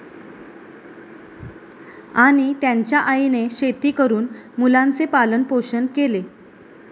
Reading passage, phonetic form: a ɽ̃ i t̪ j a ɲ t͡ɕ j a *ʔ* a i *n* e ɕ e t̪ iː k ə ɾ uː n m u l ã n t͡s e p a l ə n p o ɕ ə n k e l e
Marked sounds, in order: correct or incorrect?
correct, correct

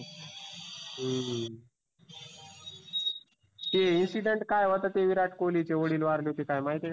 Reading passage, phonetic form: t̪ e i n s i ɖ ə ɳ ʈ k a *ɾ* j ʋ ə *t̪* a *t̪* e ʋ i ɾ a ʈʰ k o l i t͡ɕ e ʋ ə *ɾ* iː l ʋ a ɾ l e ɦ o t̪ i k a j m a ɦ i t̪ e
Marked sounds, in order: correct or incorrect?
incorrect: none, correct, correct, incorrect: ɽ

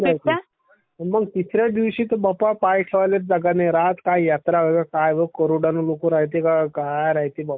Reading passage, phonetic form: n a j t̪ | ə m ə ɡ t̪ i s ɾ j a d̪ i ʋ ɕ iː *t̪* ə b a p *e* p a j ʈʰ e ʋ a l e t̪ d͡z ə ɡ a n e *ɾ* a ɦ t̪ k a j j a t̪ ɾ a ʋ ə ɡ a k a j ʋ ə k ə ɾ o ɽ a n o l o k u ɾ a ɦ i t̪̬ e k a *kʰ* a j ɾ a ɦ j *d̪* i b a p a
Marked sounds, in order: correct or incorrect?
correct, incorrect: a, correct, incorrect: k, incorrect: t̪

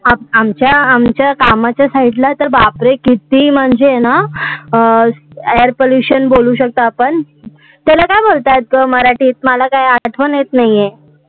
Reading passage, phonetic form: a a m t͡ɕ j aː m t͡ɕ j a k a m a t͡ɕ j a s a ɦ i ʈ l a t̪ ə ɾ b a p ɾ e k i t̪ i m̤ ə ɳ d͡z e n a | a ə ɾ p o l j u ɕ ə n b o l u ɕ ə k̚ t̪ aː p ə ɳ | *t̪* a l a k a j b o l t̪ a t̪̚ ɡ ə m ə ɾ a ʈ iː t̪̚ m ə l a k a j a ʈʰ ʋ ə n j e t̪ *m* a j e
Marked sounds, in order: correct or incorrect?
correct, incorrect: n

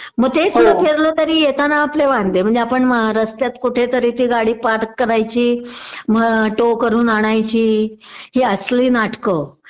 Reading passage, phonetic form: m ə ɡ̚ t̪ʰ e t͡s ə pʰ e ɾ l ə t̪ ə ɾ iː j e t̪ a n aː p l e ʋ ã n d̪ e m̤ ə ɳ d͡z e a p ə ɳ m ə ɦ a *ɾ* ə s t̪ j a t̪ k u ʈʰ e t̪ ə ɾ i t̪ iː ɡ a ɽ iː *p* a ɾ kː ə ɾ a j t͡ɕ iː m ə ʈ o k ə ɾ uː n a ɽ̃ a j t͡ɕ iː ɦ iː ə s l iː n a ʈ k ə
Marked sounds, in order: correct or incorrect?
correct, correct

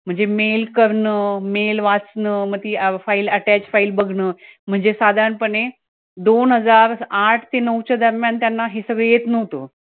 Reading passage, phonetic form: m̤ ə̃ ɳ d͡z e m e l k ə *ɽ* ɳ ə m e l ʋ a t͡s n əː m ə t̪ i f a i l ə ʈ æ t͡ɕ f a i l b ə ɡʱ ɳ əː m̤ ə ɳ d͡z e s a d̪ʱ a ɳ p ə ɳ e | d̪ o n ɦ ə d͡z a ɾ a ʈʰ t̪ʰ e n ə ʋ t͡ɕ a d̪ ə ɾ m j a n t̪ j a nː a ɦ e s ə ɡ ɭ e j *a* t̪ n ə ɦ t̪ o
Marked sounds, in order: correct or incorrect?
incorrect: ɾ, incorrect: e

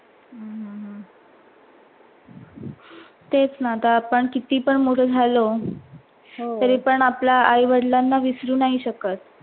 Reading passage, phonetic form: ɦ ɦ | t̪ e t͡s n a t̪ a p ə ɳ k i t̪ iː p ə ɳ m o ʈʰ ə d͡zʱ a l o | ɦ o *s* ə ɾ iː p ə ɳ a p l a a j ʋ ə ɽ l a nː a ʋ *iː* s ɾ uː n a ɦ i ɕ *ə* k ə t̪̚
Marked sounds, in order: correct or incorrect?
incorrect: t, incorrect: i, correct

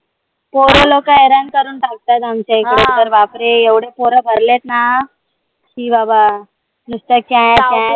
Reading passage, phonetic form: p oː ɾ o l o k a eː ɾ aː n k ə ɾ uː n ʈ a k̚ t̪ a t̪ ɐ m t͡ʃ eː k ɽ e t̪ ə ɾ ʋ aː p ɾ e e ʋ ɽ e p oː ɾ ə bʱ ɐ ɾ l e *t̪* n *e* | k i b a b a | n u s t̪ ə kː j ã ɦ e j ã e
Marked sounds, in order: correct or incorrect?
correct, incorrect: a

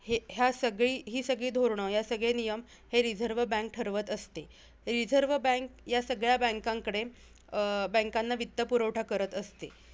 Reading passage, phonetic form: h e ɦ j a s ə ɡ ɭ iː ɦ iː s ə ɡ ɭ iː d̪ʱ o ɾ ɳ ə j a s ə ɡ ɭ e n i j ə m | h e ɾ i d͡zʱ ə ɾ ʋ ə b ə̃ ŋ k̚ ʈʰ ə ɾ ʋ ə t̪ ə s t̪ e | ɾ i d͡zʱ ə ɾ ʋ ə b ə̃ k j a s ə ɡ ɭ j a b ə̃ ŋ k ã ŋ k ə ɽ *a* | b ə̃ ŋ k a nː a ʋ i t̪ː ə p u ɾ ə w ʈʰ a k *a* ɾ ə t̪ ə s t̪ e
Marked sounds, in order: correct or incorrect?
incorrect: e, incorrect: ə

